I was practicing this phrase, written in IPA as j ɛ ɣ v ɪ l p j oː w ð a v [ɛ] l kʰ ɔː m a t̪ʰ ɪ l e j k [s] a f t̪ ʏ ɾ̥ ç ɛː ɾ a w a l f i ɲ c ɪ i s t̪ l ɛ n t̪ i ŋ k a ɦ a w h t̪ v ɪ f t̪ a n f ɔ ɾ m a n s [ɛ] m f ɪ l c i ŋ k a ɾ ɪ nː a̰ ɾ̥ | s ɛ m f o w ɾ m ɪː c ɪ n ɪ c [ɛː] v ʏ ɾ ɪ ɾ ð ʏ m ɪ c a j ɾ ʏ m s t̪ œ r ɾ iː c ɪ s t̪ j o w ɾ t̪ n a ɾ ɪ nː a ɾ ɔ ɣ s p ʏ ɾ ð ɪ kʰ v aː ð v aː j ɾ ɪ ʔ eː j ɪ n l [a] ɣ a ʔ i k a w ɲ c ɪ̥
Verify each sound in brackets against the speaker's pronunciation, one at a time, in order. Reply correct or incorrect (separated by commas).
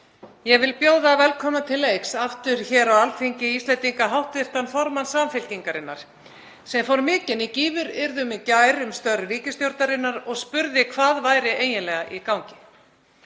correct, correct, incorrect, incorrect, incorrect